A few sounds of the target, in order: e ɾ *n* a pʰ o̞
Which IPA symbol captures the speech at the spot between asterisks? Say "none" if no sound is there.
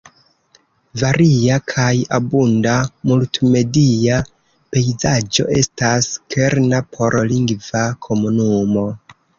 n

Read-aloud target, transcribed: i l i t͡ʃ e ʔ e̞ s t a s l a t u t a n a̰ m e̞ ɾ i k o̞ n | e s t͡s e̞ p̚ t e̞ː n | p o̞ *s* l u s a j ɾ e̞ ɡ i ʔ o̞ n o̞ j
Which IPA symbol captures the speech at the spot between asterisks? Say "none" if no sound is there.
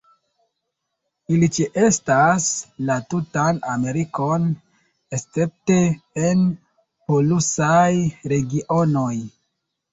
none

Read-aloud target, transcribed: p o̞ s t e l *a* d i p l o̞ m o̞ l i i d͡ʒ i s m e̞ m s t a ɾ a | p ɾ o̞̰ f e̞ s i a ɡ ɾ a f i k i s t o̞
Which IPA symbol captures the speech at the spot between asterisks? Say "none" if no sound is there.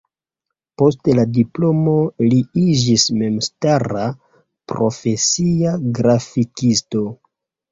a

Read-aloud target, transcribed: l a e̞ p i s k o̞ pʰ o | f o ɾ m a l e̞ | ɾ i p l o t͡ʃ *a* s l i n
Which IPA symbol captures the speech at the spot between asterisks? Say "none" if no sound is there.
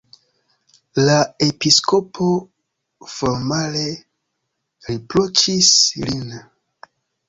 i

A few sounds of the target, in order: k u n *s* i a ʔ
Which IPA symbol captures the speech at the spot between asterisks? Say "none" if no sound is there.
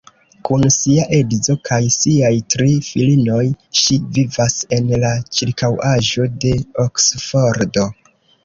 s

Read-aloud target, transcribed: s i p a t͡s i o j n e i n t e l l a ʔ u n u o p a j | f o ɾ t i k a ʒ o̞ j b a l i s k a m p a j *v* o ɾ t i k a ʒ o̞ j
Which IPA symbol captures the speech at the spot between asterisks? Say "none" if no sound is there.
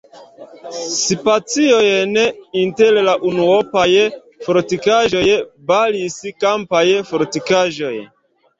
f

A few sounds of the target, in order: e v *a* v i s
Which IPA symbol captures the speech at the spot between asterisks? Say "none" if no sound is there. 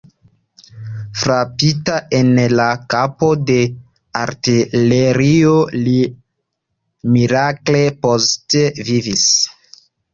i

